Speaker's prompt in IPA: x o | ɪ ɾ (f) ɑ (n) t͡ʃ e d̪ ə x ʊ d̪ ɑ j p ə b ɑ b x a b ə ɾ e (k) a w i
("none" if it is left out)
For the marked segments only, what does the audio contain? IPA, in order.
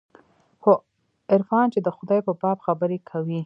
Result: f, n, kʰ

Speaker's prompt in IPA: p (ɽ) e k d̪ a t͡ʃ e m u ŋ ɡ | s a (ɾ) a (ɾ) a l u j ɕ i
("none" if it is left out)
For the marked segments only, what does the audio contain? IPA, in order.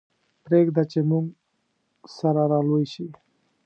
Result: ɾ, ɾ, ɾ

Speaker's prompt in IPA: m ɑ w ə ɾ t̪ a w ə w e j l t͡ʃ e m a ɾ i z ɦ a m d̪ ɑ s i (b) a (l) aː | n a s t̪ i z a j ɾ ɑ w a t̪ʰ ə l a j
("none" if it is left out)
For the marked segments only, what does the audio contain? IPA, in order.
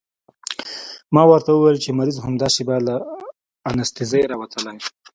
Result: b, l

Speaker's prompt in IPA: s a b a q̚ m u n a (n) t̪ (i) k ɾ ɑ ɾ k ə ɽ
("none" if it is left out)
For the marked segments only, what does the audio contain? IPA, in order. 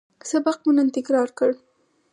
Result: n, ɪ

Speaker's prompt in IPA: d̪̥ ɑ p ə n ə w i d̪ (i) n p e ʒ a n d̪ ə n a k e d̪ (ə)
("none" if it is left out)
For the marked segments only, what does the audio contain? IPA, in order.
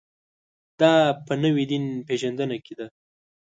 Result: i, a

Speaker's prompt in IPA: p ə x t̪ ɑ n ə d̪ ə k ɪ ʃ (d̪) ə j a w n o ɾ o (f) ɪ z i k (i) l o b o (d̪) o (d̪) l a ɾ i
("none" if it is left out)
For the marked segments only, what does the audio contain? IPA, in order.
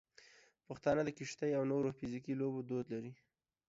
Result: t̪, f, i, d̪, d̪

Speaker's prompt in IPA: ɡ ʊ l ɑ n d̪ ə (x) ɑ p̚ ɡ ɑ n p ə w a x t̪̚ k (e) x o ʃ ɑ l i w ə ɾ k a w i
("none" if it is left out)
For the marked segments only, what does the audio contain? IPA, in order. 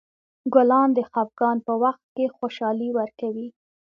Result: x, e

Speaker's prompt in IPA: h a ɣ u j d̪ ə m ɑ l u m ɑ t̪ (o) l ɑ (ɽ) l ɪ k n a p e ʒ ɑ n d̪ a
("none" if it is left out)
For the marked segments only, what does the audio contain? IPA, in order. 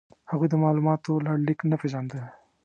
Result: o, ɽ

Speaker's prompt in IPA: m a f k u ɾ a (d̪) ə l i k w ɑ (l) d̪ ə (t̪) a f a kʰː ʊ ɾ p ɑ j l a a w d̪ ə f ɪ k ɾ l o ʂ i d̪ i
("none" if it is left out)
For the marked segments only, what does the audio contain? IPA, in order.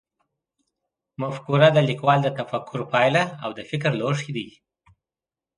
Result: d̪, l, t̪

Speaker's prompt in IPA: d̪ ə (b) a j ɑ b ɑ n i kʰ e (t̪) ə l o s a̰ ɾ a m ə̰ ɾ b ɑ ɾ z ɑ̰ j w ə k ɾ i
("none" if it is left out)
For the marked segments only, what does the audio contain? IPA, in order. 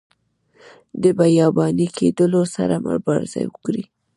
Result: b, d̪

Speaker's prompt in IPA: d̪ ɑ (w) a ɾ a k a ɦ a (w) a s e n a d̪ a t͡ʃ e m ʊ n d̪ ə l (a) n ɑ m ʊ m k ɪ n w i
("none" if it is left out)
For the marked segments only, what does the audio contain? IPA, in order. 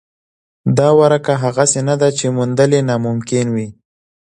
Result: w, ɣ, e

